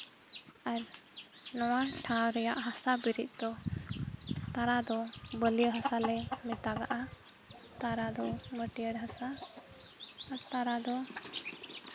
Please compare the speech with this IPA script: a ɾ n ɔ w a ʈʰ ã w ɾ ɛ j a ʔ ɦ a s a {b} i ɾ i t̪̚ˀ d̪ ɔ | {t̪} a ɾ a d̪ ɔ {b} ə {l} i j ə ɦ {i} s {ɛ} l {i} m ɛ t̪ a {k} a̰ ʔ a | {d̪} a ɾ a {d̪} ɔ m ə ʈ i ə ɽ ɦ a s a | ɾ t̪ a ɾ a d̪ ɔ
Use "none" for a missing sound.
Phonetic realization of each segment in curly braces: b, t̪, b, l, a, a, ɛ, ɡ, t̪, d̪

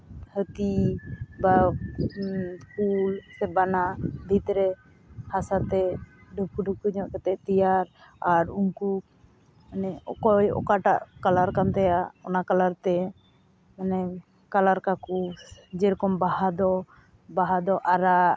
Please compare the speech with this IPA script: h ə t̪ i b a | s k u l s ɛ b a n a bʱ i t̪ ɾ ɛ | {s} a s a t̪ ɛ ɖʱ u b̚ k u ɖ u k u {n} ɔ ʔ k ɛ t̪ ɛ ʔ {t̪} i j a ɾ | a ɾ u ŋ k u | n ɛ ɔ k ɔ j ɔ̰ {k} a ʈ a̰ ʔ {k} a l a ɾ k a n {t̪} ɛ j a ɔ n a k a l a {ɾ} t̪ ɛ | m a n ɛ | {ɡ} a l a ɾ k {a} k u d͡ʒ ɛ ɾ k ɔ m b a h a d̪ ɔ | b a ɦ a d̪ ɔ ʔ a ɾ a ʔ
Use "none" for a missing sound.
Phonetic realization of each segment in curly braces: h, ɲ, t̪, k, k, t̪, ɾ, k, a

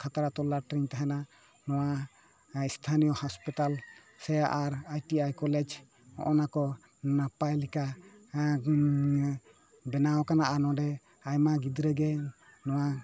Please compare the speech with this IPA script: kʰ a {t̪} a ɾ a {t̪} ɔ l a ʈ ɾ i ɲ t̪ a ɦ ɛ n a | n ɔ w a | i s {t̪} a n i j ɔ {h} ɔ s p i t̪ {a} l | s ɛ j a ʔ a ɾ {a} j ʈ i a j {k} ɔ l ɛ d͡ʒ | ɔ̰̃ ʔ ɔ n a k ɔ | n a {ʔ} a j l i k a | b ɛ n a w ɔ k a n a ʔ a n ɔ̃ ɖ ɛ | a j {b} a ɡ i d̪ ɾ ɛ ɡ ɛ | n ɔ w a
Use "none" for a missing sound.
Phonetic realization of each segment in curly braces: t̪, t̪, t̪ʰ, h, a, a, k, p, m

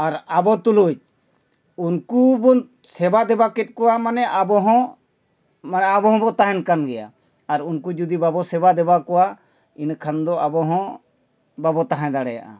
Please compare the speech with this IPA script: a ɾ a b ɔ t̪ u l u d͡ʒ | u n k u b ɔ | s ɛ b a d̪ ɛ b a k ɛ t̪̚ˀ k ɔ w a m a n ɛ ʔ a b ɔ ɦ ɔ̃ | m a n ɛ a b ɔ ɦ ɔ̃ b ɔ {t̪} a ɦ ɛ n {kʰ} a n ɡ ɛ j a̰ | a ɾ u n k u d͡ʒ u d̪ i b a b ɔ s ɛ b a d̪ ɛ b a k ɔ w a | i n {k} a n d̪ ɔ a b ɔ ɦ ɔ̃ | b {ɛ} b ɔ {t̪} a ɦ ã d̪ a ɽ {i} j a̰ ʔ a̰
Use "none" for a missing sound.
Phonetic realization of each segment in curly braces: t̪, k, kʰ, a, t̪, ɛ

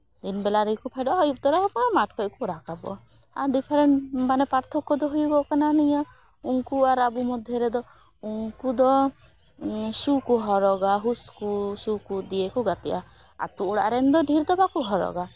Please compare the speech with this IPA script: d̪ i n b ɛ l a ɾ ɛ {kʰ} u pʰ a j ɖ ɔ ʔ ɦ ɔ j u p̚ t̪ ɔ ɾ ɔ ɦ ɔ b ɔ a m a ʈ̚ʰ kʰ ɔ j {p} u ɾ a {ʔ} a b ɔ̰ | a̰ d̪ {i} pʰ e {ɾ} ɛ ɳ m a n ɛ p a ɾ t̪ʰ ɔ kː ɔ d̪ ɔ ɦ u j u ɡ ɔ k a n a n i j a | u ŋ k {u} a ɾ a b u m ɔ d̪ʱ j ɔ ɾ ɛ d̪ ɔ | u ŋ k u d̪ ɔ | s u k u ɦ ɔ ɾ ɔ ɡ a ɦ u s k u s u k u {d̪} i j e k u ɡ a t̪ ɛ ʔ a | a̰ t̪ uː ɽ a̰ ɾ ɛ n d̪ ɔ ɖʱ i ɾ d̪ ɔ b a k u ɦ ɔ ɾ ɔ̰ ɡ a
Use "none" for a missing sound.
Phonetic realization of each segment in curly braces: k, k, k, i, ɾ, u, d̪

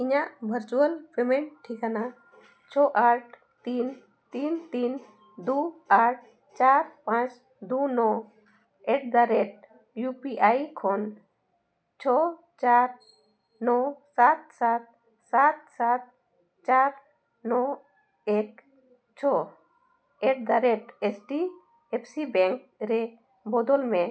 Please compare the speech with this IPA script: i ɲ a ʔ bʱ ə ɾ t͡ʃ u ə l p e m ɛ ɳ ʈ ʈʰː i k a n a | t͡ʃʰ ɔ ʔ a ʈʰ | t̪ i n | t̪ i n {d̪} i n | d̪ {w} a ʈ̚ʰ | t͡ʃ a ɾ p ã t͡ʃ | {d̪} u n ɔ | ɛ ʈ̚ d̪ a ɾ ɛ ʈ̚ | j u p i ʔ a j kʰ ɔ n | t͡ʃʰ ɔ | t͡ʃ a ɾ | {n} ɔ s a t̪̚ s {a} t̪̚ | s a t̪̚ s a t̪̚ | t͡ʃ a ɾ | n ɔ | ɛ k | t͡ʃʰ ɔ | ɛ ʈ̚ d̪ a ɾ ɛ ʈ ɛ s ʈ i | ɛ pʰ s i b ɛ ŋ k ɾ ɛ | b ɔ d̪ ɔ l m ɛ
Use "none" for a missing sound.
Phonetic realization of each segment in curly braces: t̪, u, d̪, n, a

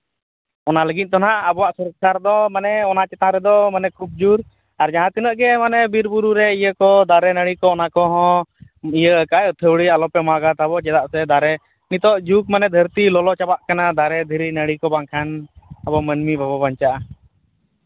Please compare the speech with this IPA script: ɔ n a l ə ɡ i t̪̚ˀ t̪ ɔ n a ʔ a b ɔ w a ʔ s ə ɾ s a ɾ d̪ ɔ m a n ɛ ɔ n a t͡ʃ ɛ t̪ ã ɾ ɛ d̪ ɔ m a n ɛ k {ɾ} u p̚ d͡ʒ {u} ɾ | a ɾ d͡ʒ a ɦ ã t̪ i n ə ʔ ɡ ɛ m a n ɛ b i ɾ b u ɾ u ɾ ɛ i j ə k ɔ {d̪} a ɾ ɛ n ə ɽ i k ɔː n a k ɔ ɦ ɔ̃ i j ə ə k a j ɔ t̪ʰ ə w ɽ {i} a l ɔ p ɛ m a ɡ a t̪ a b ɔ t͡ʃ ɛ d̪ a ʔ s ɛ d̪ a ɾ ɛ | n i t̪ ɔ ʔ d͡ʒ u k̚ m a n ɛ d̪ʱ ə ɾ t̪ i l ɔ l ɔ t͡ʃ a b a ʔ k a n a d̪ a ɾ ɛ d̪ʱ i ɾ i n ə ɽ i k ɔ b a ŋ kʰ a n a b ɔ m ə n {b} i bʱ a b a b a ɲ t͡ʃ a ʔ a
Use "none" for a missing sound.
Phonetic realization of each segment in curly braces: ɾ, u, d̪, i, m

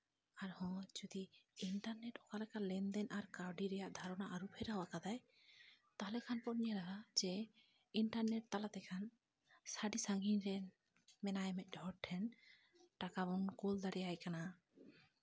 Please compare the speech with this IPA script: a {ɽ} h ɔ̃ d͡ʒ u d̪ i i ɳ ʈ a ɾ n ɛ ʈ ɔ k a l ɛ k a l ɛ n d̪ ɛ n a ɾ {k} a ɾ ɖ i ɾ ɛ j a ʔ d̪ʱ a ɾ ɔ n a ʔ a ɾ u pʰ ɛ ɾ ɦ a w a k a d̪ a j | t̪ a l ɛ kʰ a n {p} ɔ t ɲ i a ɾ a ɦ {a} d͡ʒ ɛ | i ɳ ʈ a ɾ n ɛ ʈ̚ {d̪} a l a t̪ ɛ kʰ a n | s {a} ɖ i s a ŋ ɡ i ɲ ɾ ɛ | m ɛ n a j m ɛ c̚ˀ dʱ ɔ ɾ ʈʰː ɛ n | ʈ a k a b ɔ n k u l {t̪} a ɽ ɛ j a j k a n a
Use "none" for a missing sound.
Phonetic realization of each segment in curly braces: ɾ, k, p, a, t̪, a, d̪

